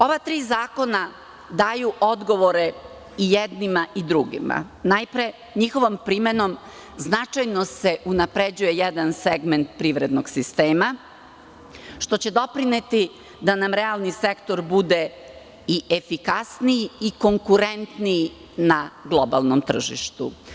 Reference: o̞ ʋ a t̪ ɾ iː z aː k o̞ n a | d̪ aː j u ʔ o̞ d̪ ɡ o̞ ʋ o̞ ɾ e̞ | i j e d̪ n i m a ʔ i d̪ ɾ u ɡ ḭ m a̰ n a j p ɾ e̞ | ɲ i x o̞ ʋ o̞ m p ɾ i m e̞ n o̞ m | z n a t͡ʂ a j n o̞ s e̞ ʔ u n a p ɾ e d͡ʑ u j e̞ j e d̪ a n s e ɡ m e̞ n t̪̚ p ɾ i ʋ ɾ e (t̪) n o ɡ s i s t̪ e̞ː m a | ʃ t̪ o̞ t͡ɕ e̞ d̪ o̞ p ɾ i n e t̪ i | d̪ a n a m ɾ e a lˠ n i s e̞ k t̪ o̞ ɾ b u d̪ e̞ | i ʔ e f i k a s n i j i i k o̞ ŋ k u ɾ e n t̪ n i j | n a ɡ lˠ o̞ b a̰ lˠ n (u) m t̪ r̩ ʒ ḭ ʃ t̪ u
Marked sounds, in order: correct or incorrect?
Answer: incorrect: d̪, incorrect: o

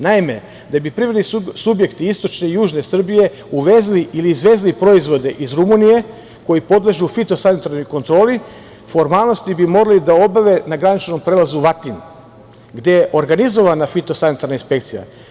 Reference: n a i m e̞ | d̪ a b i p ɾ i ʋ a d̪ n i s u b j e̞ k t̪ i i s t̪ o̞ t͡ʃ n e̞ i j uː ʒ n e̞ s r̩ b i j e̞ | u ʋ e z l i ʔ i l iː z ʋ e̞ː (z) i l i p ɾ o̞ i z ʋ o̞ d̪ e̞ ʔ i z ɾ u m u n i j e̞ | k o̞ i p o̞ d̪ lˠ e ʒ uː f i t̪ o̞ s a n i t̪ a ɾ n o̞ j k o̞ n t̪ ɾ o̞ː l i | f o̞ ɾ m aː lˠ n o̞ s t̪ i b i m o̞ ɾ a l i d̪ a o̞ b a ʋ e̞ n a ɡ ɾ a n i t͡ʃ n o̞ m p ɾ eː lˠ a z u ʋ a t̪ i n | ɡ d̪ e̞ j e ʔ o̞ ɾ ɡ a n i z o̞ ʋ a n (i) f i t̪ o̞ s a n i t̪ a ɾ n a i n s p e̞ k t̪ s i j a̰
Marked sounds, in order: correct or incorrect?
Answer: correct, incorrect: a

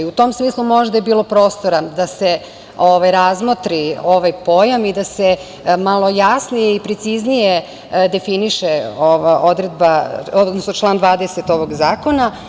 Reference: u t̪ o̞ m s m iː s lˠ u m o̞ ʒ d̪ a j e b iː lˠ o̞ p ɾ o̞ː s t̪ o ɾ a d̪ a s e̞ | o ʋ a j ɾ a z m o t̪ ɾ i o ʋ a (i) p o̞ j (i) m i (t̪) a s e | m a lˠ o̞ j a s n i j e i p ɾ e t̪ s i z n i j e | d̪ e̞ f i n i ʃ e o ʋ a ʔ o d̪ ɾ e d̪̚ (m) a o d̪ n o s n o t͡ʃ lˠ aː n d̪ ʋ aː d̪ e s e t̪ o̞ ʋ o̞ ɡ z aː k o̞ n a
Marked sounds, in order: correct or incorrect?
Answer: incorrect: j, incorrect: a, incorrect: d̪, incorrect: b

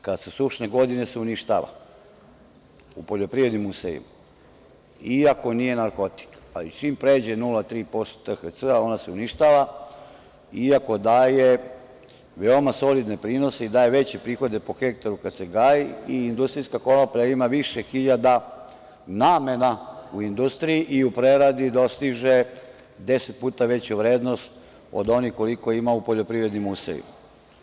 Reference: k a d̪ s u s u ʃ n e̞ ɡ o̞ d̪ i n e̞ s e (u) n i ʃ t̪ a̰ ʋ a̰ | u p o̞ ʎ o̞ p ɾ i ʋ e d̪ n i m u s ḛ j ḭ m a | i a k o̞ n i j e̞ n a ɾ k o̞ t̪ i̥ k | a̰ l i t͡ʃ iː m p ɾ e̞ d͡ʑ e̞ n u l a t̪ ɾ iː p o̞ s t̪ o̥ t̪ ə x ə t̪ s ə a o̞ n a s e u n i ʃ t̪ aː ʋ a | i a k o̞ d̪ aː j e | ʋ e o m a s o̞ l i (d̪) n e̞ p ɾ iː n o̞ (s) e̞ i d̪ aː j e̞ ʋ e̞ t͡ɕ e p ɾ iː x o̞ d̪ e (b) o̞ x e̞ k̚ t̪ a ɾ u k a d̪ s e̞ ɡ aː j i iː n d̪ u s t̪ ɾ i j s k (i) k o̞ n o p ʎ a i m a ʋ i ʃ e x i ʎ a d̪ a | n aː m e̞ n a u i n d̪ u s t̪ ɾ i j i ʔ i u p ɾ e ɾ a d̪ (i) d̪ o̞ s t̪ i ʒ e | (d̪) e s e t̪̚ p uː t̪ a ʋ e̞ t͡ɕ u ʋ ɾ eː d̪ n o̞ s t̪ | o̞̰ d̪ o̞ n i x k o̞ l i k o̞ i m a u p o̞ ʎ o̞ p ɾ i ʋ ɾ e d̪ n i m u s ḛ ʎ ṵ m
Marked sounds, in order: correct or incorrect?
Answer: correct, correct, correct, incorrect: p, incorrect: a, correct, correct

